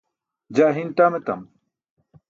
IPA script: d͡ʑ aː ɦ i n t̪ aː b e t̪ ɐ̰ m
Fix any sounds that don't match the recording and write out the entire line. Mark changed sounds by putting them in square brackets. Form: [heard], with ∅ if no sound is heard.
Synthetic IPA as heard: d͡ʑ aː ɦ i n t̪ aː [m] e t̪ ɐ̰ m